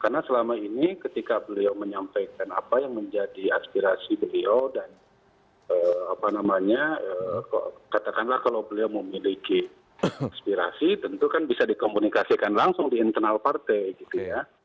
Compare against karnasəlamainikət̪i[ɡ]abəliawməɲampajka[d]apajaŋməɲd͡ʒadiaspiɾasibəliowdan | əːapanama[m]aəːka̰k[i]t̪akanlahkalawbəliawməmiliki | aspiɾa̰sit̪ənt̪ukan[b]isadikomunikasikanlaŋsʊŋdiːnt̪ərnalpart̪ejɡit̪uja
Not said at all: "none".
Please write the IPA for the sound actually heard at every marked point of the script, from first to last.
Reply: k, n, ɲ, a, b

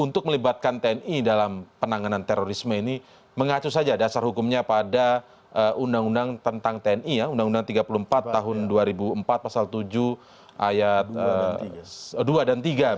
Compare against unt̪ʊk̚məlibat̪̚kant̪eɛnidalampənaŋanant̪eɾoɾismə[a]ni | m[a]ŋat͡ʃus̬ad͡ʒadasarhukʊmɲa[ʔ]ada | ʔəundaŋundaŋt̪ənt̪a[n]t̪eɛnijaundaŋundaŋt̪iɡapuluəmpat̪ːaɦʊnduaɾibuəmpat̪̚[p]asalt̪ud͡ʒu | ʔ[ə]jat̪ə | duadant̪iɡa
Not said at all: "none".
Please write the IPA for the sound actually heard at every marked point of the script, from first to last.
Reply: i, ə, p, ŋ, p, a

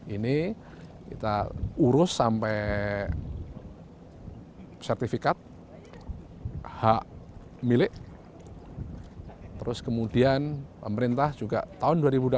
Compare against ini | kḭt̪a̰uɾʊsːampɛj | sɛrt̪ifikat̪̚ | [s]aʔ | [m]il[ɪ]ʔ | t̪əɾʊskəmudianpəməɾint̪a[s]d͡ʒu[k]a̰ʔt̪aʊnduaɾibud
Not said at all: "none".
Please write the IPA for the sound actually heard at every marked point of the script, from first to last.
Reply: h, m, ɪ, h, ɡ

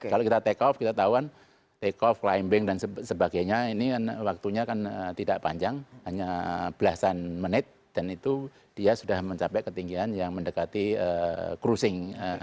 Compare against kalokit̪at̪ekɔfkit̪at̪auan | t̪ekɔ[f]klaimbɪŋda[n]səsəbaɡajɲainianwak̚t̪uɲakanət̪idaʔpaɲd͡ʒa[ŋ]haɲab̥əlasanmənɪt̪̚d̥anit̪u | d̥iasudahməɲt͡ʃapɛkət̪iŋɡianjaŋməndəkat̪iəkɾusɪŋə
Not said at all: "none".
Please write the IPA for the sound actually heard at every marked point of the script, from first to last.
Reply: f, n, ŋ

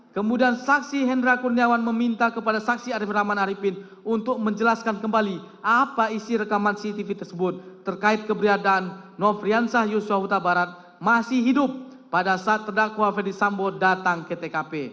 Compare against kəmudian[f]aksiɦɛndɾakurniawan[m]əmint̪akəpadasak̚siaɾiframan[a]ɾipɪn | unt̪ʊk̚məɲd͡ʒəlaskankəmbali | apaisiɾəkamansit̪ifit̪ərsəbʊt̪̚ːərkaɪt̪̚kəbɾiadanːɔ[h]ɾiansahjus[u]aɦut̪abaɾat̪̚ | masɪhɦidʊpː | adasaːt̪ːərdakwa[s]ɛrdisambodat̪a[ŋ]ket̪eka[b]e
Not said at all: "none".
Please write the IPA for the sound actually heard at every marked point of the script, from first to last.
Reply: s, m, a, f, u, f, ŋ, p

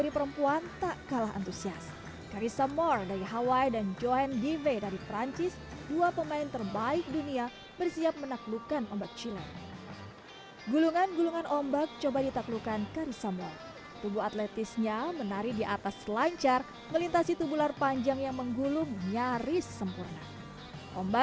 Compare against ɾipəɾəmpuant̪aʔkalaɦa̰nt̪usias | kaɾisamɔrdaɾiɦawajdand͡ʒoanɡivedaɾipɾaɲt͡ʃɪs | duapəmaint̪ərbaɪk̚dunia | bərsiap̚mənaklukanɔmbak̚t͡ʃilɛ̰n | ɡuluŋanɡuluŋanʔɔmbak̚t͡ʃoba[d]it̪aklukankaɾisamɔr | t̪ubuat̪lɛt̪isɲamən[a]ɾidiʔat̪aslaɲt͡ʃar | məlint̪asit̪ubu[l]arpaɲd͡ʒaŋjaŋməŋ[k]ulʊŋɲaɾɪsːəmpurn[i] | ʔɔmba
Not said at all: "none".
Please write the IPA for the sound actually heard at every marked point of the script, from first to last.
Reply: d, a, l, ɡ, a

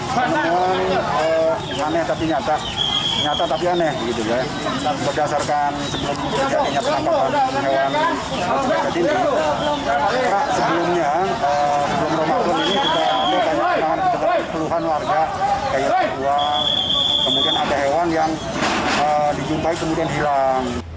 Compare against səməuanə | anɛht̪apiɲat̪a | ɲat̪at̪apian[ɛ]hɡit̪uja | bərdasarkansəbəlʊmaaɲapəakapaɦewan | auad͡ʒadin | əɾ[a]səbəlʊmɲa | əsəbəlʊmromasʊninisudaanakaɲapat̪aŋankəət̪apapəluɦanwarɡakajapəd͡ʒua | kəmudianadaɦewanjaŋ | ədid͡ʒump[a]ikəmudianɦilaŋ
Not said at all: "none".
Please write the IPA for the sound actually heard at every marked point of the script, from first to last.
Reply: ɛ, a, a

